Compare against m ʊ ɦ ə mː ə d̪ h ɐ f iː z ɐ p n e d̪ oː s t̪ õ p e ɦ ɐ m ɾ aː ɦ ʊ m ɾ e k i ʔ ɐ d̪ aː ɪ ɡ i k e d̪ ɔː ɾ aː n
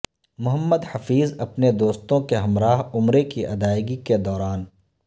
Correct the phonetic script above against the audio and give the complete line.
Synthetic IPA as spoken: m ʊ ɦ ə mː ə d̪ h ɐ f iː z ɐ p n e d̪ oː s t̪ õ k e ɦ ɐ m ɾ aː ɦ ʊ m ɾ e k i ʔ ɐ d̪ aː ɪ ɡ i k e d̪ ɔː ɾ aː n